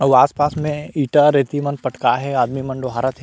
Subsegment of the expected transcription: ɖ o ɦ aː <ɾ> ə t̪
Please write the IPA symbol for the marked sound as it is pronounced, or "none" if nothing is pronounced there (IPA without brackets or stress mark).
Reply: ɾ